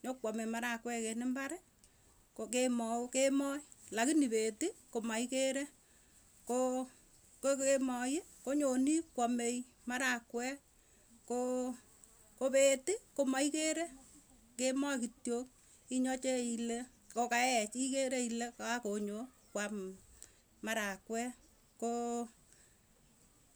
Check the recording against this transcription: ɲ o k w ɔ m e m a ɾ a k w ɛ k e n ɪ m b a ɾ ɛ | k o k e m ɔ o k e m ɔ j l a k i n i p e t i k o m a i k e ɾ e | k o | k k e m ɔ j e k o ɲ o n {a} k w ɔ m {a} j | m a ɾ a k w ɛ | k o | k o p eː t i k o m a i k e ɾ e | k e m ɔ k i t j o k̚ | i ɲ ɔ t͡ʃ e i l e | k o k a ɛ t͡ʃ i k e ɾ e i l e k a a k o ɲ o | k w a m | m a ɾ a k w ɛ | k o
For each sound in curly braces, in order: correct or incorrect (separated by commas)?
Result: incorrect, incorrect